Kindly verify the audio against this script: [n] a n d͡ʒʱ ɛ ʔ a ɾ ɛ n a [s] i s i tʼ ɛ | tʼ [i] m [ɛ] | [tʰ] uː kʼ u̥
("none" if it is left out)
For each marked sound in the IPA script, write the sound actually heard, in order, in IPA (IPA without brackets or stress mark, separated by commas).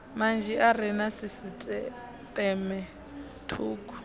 m, s, ɛ, ɛ, tʰ